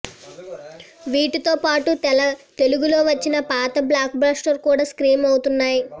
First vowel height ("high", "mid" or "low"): high